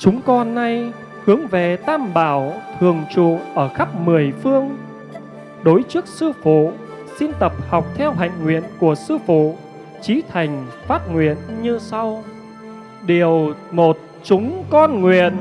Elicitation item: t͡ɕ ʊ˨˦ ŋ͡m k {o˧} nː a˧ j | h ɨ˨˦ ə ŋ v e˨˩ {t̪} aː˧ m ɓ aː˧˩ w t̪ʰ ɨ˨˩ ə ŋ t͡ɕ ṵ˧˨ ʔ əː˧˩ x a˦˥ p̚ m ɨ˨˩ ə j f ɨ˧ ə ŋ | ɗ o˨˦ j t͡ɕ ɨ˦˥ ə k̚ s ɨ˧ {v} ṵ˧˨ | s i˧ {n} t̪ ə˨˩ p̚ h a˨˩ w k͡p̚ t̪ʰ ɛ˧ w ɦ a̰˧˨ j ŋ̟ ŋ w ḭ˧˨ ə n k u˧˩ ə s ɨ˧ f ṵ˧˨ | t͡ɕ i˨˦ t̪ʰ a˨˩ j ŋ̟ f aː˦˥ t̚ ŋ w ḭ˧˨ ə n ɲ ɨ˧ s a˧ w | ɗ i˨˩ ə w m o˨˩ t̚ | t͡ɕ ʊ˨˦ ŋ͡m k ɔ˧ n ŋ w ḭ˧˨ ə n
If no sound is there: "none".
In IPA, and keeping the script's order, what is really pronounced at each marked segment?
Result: ɔ˧, t̪, f, n

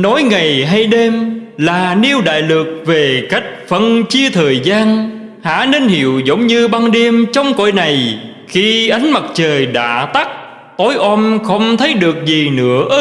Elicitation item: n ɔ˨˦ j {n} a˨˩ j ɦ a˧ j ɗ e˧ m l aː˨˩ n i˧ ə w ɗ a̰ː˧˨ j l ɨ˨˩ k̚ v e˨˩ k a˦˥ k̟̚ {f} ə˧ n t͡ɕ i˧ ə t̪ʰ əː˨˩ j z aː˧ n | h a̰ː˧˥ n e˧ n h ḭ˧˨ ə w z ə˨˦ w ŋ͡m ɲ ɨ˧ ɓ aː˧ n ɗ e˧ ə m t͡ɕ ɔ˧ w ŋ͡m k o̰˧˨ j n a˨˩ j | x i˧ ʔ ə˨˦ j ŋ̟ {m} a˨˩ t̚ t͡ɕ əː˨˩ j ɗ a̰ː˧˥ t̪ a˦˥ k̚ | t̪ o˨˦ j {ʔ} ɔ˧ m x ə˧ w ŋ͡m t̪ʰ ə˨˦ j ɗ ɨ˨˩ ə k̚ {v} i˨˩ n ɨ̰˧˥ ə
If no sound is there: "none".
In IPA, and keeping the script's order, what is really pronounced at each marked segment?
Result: ŋ, f, m, ʔ, z

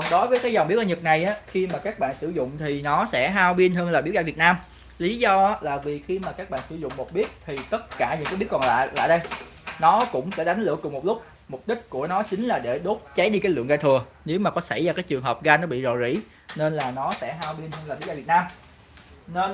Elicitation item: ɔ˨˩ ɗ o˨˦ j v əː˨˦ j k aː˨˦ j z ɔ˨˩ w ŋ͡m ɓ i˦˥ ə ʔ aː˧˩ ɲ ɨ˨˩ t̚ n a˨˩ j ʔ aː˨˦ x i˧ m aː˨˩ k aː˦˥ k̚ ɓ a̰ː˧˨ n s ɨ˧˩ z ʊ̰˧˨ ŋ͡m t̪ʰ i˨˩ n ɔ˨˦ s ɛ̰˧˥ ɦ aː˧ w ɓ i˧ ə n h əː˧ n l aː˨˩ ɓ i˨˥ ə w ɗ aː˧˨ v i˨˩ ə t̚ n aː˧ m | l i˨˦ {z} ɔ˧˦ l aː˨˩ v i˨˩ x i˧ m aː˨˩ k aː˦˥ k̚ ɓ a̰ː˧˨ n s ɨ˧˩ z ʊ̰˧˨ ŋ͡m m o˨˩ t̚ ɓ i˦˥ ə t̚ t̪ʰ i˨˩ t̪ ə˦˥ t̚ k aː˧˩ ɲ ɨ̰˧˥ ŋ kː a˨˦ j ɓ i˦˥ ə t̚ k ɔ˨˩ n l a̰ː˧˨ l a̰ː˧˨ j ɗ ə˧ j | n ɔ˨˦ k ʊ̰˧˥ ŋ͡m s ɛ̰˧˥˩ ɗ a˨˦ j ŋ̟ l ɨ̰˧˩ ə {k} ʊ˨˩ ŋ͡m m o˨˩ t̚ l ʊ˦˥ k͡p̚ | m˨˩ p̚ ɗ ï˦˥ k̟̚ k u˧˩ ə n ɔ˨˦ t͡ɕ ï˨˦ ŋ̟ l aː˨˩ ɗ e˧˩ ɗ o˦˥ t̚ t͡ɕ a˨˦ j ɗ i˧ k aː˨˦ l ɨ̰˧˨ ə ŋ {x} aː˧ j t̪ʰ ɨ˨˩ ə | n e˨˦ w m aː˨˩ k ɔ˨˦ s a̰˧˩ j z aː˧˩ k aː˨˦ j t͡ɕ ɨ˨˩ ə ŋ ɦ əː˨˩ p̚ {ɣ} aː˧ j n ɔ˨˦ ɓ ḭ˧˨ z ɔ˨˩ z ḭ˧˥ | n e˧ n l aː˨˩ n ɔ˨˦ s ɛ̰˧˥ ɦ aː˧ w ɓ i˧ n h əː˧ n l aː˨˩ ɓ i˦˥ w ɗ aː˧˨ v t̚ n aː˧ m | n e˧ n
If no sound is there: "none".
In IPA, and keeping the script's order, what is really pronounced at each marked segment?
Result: z, k, ɣ, ɣ

